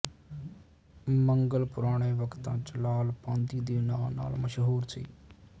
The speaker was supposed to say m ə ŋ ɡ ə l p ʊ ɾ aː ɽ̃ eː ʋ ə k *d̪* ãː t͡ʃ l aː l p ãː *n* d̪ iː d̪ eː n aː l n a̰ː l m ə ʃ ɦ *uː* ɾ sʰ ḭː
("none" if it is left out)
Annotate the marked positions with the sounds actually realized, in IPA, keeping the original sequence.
t̪, n, uː

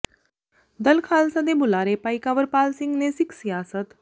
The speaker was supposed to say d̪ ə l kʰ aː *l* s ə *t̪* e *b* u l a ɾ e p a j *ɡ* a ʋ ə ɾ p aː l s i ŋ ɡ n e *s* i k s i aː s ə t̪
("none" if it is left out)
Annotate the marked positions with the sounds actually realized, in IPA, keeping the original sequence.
l, d̪, b, k, s

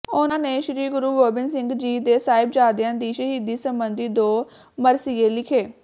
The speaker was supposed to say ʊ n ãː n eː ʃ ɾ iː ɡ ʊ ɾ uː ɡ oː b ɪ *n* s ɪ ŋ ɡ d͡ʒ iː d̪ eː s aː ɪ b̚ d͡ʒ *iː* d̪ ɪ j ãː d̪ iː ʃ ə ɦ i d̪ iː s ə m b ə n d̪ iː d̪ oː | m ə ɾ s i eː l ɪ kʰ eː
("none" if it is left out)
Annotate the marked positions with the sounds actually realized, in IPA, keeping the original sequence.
n, aː

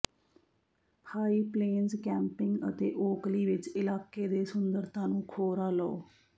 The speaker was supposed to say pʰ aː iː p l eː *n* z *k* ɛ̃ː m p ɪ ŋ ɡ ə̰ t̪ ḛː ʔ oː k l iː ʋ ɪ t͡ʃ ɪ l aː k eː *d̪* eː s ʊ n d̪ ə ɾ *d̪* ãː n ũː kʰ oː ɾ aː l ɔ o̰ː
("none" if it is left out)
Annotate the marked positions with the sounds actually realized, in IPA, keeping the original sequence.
n, k, d̪, t̪

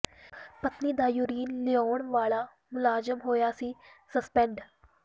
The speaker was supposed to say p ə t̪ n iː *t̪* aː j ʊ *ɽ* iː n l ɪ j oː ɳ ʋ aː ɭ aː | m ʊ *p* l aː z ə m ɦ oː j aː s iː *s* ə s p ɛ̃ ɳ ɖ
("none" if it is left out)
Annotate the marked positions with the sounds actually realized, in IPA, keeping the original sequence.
d̪, ɾ, none, s

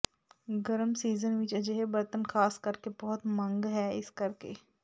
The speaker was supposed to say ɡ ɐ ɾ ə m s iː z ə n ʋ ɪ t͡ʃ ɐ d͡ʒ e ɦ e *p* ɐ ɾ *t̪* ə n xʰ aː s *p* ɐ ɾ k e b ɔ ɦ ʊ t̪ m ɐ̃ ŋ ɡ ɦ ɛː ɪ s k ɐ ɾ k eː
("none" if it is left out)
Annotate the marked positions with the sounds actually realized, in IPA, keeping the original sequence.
b, t̪, k

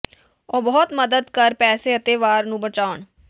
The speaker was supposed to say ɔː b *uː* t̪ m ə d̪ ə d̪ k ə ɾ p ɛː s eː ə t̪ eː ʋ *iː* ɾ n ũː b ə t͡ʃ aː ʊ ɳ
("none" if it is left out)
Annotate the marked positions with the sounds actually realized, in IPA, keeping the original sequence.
ɔː, aː

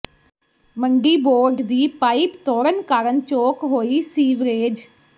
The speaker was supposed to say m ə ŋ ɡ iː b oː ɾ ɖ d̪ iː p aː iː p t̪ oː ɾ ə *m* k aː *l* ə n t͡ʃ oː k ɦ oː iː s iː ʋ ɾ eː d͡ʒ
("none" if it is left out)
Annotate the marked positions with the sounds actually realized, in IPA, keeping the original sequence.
n, ɾ

